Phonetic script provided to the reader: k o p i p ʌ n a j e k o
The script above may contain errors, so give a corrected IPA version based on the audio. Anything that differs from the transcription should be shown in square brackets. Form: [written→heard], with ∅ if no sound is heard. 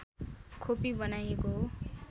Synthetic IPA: [k→kʰ] o p i [p→b] ʌ n a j e k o